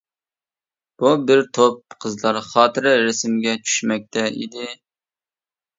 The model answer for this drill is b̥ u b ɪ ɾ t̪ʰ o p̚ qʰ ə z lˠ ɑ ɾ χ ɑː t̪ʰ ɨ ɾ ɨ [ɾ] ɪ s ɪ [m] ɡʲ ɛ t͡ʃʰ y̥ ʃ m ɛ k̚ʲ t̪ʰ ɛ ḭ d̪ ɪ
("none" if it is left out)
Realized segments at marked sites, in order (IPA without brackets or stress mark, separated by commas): ɾ, m